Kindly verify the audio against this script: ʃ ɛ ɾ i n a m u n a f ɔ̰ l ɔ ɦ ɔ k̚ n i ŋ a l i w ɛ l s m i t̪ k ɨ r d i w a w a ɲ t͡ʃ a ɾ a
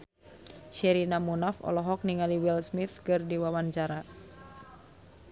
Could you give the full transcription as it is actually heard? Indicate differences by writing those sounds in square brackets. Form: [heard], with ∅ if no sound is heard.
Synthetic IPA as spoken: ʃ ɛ ɾ i n a m u n a f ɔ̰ l ɔ ɦ ɔ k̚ n i ŋ a l i w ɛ l s m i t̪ k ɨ r d i w a w a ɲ t͡ʃ a ɾ a

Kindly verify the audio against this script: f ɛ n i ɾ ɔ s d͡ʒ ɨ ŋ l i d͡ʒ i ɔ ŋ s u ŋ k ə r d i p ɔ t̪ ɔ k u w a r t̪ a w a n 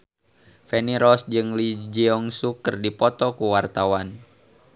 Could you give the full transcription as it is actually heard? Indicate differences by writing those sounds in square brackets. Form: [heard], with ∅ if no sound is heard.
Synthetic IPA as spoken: f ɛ n i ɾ ɔ s d͡ʒ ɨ ŋ l i d͡ʒ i ɔ ŋ s u [∅] k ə r d i p ɔ t̪ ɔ k u w a r t̪ a w a n

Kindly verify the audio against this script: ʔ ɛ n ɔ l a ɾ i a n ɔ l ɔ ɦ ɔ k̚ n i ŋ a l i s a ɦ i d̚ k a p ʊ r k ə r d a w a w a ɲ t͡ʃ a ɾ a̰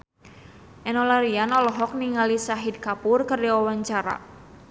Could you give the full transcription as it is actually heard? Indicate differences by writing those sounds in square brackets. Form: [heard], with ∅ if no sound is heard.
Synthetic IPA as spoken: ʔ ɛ n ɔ l a ɾ i a n ɔ l ɔ ɦ ɔ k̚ n i ŋ a l i s a ɦ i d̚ k a p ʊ r k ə r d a w a w a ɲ t͡ʃ a ɾ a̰

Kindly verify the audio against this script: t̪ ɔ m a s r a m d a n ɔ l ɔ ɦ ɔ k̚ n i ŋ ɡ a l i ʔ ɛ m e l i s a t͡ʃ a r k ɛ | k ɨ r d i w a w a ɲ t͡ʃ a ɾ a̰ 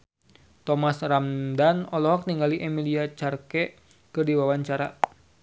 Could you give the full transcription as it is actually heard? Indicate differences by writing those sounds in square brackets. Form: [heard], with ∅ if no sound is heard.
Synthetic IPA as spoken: t̪ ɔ m a s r a m d a n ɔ l ɔ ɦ ɔ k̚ n i ŋ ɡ a l i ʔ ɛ m [i] l i [∅] a t͡ʃ a r k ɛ | k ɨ r d i w a w a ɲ t͡ʃ a ɾ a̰

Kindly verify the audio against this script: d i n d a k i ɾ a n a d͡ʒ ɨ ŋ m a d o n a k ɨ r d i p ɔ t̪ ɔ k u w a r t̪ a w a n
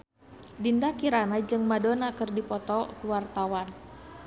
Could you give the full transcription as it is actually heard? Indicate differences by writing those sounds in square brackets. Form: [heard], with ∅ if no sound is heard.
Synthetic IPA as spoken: d i n d a k i ɾ a n a d͡ʒ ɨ ŋ m a d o n a k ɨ r d i p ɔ t̪ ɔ k u w a r t̪ a w a n

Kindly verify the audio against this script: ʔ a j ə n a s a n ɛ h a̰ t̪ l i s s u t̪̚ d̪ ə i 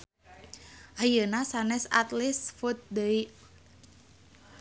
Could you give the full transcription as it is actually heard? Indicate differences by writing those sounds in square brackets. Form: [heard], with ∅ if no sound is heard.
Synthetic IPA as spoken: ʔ a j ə n a s a n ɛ [s] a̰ t̪ l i s [f] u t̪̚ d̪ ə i

